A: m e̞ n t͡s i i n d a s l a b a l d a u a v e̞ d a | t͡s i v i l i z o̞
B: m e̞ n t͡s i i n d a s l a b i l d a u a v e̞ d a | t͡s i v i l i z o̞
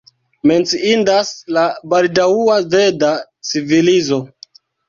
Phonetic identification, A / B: A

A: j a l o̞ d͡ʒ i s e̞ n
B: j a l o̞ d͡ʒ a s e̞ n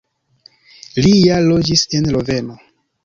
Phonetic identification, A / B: A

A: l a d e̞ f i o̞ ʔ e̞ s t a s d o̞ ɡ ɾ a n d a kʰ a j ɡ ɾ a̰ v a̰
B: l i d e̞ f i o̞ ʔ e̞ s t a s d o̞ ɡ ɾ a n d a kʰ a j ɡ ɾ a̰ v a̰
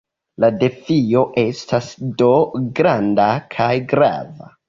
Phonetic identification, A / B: A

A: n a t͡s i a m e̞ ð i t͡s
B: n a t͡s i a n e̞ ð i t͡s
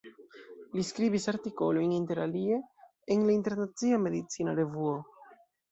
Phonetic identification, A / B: A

